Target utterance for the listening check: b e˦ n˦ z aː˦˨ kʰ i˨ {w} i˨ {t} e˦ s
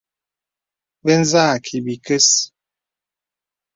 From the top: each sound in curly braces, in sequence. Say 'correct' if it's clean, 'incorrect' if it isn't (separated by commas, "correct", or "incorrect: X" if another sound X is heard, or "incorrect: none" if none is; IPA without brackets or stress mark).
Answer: incorrect: b, incorrect: k